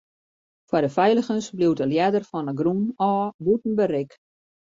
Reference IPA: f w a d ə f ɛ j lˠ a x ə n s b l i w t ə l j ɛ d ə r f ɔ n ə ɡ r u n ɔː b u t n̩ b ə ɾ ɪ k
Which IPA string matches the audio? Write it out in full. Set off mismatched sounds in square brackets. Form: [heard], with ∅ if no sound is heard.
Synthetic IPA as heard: f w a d ə f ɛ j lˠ [ə] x ə n s b l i w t ə l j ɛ d ə r f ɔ n ə ɡ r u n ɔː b u t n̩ b ə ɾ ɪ k